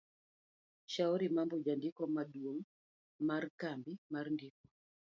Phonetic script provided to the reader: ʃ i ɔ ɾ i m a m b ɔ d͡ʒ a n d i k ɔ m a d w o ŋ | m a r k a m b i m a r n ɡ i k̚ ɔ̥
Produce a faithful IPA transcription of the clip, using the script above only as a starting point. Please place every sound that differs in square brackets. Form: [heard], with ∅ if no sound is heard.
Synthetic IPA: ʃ [a] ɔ ɾ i m a m b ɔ d͡ʒ a n d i k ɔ m a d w o ŋ | m a r k a m b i m a r n [d] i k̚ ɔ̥